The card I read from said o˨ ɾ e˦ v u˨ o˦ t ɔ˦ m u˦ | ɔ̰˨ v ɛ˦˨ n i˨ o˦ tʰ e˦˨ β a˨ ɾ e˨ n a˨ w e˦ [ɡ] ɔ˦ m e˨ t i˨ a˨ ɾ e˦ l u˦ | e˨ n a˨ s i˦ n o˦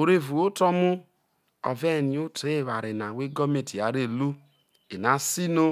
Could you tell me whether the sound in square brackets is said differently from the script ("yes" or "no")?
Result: no